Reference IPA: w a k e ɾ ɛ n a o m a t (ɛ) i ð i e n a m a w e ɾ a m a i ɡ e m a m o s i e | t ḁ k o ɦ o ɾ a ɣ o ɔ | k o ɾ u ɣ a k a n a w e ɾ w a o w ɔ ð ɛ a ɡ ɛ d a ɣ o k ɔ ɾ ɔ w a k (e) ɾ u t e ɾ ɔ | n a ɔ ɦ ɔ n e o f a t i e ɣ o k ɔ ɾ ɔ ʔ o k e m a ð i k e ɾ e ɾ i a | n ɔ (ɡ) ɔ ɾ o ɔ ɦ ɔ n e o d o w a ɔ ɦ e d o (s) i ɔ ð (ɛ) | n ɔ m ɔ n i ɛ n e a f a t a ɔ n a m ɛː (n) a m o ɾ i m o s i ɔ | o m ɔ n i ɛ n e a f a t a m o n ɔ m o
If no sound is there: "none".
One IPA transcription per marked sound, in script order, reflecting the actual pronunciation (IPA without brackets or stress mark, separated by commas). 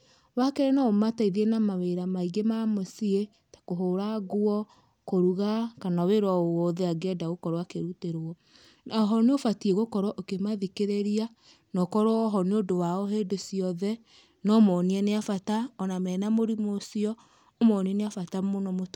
a, e, k, s, ɛ, n